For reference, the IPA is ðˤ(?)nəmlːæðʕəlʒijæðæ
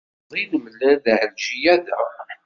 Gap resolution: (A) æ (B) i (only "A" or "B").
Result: B